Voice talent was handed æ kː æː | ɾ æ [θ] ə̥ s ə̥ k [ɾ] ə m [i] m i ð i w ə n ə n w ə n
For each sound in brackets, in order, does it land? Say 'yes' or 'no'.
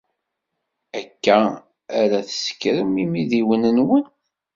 yes, yes, yes

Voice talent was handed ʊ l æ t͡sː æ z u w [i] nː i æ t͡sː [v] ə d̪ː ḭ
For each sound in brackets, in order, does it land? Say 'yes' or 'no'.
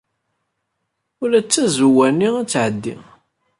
no, no

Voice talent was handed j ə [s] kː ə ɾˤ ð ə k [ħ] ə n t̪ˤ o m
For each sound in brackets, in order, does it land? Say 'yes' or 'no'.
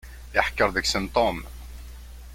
no, no

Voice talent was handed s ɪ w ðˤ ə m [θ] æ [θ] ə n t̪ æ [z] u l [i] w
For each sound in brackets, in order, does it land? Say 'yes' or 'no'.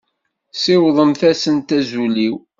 yes, no, yes, yes

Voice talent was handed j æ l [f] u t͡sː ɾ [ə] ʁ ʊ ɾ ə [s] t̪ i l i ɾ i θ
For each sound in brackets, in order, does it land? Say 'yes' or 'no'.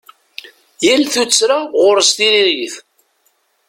no, no, yes

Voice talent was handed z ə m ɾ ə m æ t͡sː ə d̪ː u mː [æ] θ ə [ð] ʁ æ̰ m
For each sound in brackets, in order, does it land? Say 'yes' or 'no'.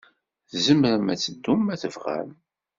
yes, no

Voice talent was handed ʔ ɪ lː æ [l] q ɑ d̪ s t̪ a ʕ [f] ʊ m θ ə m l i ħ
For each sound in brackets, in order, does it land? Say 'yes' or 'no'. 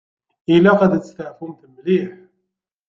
no, yes

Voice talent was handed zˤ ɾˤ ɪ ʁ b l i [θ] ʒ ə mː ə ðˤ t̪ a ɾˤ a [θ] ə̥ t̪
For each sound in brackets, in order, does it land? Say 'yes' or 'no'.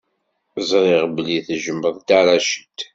yes, no

